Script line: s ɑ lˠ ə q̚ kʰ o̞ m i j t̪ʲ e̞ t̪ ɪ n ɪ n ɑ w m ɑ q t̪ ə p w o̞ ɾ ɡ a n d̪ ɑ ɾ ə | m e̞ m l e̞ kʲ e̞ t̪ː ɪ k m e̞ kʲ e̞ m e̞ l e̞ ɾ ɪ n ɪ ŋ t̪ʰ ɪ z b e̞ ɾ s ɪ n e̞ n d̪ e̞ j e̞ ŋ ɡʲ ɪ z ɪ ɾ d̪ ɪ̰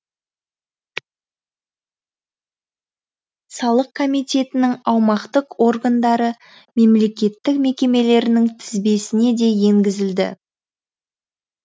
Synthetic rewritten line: s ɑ lˠ ə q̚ kʰ o̞ m i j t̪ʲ e̞ t̪ ɪ n ɪ ŋ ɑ w m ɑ q t̪ ə q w o̞ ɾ ɡ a n d̪ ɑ ɾ ə | m e̞ m l e̞ kʲ e̞ t̪ː ɪ k m e̞ kʲ e̞ m e̞ l e̞ ɾ ɪ n ɪ ŋ t̪ʰ ɪ z b e̞ s ɪ n e̞ d̪ e̞ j e̞ ŋ ɡʲ ɪ z ɪ l d̪ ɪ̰